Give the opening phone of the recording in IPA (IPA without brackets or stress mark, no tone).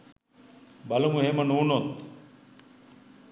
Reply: b